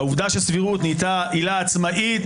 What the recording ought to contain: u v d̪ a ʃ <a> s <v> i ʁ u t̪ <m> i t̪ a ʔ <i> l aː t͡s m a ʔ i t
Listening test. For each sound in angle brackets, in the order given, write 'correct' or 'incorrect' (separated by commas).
incorrect, correct, incorrect, correct